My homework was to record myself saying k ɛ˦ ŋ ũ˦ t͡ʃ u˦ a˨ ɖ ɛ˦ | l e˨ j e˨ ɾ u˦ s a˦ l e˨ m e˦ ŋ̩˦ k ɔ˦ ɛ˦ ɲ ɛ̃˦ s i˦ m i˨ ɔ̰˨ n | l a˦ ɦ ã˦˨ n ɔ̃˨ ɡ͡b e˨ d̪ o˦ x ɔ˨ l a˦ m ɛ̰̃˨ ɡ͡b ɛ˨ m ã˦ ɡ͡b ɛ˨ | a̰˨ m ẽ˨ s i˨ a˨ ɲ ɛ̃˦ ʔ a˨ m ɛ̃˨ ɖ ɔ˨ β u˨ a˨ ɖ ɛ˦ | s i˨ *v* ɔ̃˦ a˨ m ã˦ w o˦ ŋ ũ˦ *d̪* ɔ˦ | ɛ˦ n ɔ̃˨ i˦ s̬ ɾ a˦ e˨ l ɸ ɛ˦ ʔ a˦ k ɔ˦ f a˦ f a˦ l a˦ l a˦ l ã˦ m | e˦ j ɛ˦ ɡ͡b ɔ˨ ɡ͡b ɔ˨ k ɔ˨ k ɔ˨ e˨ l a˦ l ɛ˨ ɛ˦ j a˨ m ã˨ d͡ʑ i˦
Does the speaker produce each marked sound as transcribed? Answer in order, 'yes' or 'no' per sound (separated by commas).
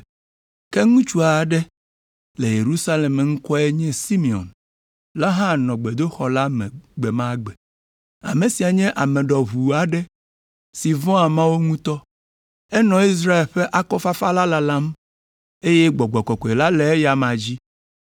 yes, no